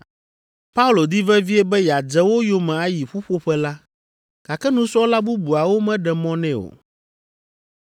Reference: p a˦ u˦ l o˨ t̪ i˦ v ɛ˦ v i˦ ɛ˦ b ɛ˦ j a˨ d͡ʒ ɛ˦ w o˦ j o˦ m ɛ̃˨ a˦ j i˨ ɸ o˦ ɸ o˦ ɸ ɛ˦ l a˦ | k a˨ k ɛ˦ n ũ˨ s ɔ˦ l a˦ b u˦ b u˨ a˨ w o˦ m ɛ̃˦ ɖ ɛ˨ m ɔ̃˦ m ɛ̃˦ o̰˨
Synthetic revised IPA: p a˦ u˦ l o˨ d̪ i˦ v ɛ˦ v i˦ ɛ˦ b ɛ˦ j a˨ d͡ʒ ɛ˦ w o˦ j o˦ m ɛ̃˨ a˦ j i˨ ɸ u˦ ɸ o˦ ɸ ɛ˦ l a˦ | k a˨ k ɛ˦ n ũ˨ s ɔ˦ l a˦ b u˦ b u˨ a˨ w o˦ m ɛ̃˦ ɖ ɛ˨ m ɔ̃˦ n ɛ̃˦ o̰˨